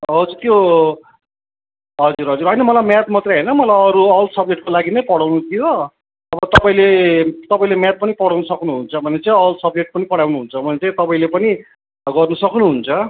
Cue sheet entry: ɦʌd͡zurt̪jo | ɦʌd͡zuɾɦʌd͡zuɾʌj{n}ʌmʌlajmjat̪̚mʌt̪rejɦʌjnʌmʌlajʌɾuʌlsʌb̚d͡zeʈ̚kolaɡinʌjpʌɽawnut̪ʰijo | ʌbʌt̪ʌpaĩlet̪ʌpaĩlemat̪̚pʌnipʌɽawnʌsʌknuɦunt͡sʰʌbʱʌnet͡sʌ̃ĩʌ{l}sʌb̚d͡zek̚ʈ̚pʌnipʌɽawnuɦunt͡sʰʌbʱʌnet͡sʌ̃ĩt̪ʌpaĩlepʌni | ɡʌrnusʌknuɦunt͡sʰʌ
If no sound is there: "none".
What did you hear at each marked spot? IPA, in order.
n, l

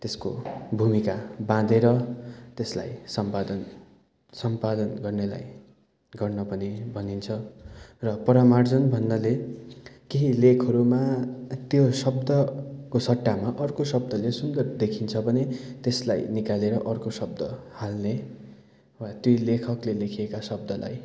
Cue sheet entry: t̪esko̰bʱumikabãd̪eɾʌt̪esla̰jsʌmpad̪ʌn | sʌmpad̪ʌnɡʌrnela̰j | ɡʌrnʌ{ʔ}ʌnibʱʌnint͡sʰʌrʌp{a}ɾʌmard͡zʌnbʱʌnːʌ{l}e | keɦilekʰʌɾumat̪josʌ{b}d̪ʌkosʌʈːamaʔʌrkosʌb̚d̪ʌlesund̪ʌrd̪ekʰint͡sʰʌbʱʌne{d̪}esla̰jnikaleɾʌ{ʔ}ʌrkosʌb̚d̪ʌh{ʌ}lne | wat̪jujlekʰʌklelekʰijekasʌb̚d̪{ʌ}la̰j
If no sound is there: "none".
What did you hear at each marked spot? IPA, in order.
p, ʌ, l, b, t̪, ʔ, a, ʌ

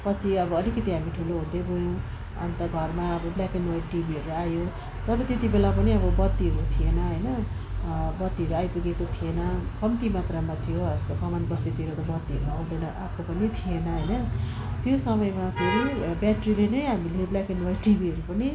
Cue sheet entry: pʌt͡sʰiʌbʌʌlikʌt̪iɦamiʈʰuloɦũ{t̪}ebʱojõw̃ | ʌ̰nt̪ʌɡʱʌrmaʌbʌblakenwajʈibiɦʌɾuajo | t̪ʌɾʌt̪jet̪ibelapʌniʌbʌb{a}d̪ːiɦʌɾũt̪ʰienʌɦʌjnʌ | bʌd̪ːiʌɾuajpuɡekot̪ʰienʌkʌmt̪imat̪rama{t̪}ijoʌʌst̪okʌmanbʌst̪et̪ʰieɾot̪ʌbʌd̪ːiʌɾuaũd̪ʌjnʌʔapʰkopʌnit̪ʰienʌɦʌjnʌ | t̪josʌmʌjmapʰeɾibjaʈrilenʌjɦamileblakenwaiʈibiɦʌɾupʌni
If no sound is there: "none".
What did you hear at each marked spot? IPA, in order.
d̪, ʌ, t̪ʰ

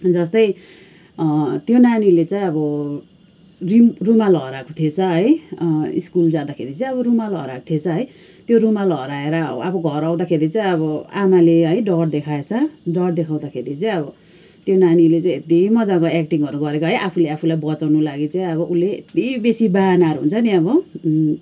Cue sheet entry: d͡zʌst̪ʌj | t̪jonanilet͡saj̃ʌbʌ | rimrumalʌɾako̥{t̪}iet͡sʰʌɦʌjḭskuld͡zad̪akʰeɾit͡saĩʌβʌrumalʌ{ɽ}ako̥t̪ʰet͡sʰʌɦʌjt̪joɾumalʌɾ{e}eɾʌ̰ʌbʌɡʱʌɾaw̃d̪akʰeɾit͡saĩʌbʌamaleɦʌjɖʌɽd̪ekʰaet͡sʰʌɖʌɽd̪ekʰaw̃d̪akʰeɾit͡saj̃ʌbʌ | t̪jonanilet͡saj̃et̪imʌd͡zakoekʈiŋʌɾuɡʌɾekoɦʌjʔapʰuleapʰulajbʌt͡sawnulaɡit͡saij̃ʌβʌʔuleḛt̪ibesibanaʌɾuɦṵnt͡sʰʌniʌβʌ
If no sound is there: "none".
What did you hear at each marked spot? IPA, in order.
t̪ʰ, ɾ, a

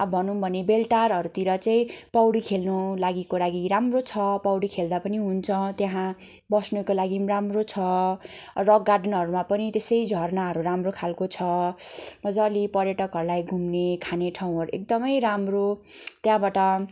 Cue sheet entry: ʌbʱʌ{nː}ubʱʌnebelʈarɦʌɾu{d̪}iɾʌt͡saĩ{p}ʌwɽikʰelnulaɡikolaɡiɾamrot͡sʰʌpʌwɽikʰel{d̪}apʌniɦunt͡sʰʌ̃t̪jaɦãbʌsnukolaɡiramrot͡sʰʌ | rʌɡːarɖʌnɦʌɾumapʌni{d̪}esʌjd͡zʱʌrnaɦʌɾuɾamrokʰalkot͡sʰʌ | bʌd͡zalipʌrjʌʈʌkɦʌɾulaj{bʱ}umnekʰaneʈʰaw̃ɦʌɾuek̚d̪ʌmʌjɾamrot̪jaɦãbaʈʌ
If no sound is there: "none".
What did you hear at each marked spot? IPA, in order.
n, t̪, p, d̪, t̪, ɡʱ

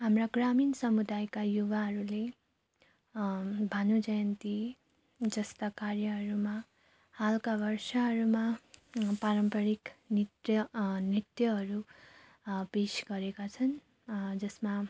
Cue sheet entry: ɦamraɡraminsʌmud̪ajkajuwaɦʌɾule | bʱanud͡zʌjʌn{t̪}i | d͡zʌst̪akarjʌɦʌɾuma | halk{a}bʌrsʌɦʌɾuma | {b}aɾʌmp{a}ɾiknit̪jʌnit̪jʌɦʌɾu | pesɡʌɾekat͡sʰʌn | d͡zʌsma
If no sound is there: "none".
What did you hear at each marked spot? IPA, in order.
t̪, a, p, ʌ

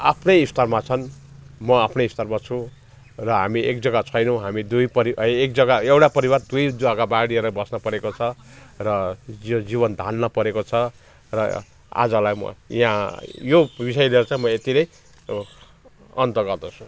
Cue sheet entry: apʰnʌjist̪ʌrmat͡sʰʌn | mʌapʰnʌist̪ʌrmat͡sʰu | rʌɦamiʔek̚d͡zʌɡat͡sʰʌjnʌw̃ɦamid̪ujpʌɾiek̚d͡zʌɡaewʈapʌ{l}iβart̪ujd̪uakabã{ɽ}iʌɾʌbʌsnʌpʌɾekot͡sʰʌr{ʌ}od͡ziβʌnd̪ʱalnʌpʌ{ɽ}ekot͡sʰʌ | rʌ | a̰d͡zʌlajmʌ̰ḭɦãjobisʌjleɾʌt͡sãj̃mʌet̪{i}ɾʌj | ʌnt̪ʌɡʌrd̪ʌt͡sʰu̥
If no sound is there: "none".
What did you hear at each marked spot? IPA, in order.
ɾ, ɽ, ʌ, ɾ, i

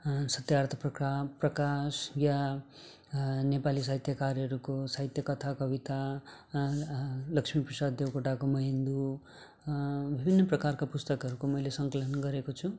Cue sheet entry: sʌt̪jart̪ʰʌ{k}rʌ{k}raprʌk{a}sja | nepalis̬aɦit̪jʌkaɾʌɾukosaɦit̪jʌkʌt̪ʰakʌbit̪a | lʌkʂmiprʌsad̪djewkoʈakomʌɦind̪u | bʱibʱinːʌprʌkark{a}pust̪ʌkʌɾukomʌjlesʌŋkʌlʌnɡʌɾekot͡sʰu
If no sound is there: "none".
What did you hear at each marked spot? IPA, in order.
p, k, a, a

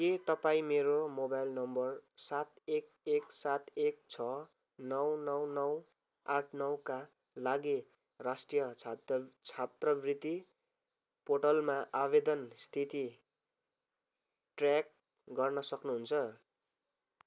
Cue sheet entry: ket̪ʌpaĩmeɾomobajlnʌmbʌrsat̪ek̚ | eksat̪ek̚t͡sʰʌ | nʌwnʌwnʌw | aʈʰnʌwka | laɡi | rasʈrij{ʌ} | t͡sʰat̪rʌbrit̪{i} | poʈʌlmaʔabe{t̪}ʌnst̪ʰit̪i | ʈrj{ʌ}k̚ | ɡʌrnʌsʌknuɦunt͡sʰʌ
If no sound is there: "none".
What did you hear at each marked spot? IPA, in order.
ʌ, i, d̪, a

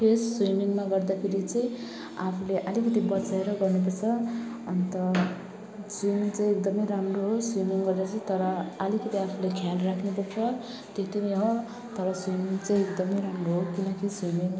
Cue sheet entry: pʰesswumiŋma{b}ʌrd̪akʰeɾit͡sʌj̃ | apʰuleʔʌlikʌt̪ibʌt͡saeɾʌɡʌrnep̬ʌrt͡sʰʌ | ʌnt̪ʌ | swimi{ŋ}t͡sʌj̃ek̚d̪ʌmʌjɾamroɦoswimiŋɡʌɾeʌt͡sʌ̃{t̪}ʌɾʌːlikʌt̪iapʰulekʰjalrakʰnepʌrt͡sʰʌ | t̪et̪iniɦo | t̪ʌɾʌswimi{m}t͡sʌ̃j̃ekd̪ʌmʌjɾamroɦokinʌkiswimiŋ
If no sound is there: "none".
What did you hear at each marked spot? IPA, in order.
ɡ, ŋ, t̪, ŋ

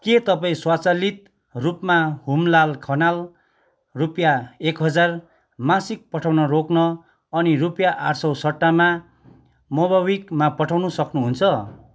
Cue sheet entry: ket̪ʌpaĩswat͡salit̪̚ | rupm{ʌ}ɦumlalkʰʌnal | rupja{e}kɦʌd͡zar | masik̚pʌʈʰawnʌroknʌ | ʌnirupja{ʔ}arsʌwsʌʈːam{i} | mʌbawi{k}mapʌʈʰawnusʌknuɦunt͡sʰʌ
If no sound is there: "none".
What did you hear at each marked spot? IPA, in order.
a, e, ʔ, a, k

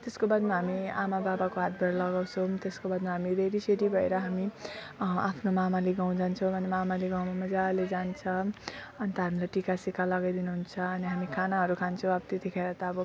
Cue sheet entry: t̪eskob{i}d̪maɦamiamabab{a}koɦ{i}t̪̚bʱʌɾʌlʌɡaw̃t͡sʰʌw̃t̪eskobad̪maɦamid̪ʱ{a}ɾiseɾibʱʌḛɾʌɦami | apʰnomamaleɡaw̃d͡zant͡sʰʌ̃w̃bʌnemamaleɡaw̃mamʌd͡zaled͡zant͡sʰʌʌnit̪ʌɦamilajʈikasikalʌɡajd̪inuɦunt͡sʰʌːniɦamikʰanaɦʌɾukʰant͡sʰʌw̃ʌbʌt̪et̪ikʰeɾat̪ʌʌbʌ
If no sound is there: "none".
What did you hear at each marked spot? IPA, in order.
a, a, a, e

